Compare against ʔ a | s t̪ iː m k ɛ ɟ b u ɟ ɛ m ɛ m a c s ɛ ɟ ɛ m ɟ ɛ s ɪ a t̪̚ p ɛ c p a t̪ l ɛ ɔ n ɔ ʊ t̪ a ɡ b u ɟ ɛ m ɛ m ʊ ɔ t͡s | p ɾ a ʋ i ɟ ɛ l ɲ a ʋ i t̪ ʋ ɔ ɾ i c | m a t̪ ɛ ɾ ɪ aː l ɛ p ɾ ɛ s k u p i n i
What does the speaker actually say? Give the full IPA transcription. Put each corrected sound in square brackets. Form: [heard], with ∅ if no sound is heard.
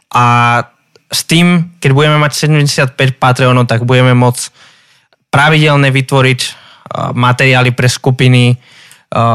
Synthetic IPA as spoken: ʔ a | s t̪ iː m k ɛ ɟ b u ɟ ɛ m ɛ m a c s ɛ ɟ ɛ m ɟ ɛ s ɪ a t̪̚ p ɛ c p a t̪ [ɾ] ɛ ɔ n ɔ ʊ t̪ a ɡ b u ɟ ɛ m ɛ m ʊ ɔ t͡s | p ɾ a ʋ i ɟ ɛ l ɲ [ɛ] ʋ i t̪ ʋ ɔ ɾ i c | m a t̪ ɛ ɾ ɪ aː l [i] p ɾ ɛ s k u p i n i